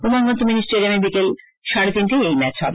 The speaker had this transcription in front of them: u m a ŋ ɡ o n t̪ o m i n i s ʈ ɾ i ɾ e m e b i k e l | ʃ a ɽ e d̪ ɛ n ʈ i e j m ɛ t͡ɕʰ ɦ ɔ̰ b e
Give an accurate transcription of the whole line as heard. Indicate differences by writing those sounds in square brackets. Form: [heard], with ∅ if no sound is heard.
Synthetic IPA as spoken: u m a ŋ ɡ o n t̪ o m i n i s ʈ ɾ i ɾ e m e b i k e l | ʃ a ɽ e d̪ [i] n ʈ i e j m ɛ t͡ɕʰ ɦ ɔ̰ b e